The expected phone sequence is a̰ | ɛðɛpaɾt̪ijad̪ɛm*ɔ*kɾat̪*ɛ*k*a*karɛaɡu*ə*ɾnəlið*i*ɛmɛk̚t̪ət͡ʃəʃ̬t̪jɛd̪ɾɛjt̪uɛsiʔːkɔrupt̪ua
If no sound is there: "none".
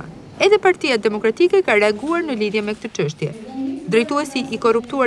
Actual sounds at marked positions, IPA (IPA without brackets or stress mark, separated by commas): ɔ, i, ɛ, a, j